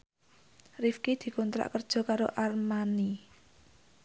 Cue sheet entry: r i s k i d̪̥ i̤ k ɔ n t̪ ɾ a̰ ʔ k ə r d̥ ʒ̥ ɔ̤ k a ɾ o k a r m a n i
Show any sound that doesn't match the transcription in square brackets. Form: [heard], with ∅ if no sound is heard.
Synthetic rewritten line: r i [f] k i d̪̥ i̤ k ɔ n t̪ ɾ a̰ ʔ k ə r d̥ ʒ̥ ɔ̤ k a ɾ o [ʔ] a r m a n i